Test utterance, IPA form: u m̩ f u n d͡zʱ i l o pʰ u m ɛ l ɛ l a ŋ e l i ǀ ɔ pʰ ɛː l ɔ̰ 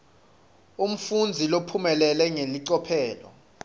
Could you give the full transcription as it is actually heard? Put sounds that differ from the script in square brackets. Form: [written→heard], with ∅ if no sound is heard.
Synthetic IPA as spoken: u m̩ f u n d͡zʱ i l o pʰ u m ɛ l ɛ l [a→ɛ] ŋ e l i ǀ ɔ pʰ ɛː l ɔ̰